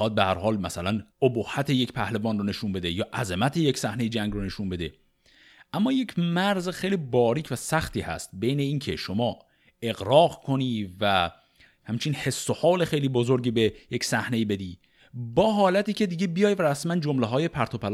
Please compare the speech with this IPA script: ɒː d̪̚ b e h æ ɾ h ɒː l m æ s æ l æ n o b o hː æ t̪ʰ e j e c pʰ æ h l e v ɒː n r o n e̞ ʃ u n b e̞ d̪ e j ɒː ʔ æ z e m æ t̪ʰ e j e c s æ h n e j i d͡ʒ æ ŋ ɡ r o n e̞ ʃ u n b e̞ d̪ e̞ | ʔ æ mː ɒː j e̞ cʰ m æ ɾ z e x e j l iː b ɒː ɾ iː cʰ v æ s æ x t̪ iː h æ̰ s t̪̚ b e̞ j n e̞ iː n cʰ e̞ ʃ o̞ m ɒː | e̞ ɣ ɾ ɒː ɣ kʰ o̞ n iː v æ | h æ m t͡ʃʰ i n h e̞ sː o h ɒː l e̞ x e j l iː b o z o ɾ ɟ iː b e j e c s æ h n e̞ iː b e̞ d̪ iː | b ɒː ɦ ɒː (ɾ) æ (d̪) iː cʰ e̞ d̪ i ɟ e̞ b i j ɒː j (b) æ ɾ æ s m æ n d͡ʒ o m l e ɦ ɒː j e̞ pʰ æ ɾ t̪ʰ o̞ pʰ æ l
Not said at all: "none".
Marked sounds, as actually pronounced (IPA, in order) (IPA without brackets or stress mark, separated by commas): l, t̪, v